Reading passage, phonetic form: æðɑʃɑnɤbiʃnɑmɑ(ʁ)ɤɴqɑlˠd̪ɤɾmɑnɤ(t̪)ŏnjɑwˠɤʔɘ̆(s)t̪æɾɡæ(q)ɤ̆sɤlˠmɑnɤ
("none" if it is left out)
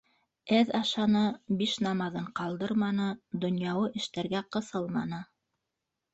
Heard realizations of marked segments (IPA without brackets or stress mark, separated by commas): ð, d̪, ʃ, q